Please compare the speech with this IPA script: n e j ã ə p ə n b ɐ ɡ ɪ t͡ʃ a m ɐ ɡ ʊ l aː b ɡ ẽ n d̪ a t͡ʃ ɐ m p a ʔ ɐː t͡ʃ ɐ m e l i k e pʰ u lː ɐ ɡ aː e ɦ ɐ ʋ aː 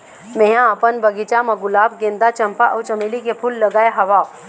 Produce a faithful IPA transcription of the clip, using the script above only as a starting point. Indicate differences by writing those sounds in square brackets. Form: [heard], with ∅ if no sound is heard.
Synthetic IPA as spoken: [m] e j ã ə p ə n b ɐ ɡ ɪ t͡ʃ a m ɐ ɡ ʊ l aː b ɡ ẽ n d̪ a t͡ʃ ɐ m p a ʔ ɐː t͡ʃ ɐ m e l i k e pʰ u lː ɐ ɡ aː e ɦ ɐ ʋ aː